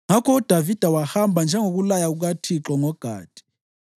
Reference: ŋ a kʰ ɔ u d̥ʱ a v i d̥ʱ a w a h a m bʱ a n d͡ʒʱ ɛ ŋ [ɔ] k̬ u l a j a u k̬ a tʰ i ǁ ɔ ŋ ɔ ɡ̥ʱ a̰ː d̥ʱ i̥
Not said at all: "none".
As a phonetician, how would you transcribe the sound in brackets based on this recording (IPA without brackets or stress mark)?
o